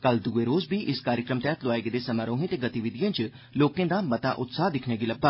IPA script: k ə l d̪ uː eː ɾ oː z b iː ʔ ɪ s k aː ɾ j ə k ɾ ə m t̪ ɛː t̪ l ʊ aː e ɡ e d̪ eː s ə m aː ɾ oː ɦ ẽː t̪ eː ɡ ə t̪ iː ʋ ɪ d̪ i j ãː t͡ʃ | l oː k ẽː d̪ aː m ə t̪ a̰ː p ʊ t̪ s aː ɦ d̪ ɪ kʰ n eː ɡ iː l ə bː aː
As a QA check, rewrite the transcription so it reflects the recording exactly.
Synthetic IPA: k ə l d̪ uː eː ɾ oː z b iː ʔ ɪ s k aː ɾ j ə k ɾ ə m t̪ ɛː t̪ l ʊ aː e ɡ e d̪ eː s ə m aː ɾ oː ɦ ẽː t̪ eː ɡ ə t̪ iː ʋ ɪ d̪ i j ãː t͡ʃ | l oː k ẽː d̪ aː m ə t̪ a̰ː ʔ ʊ t̪ s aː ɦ d̪ ɪ kʰ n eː ɡ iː l ə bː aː